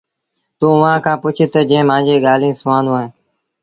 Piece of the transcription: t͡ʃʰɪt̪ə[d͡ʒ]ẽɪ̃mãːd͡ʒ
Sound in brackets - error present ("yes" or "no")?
no